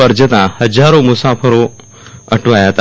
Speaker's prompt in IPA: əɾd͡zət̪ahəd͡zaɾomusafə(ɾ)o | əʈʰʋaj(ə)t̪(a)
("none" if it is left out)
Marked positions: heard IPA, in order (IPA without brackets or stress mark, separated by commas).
ɾ, a, a